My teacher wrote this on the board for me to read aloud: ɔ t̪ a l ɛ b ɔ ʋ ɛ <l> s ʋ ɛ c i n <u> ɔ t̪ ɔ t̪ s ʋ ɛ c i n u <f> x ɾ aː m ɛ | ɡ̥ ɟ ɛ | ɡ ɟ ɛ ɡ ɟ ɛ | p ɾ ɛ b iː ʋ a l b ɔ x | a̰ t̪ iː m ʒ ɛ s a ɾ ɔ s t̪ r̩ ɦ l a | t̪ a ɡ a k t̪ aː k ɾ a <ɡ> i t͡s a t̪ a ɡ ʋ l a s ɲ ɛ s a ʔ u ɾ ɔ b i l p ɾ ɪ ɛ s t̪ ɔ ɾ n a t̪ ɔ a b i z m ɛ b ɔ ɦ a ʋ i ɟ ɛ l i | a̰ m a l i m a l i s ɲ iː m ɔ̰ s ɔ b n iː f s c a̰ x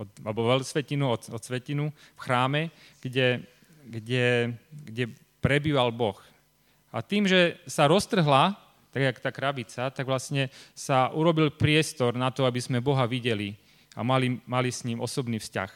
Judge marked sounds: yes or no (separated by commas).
yes, yes, yes, no